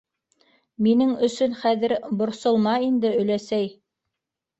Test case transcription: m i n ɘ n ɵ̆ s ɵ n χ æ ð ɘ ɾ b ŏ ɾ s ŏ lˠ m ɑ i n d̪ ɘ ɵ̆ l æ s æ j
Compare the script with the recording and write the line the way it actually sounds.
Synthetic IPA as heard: m i n ɘ ŋ ɵ̆ s ɵ n χ æ ð ɘ ɾ b ŏ ɾ s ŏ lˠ m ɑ i n d̪ ɘ ɵ̆ l æ s æ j